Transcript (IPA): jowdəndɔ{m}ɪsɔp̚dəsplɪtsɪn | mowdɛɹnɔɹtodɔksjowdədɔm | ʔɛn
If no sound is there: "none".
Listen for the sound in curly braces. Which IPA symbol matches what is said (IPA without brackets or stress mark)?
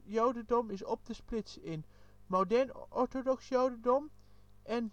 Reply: m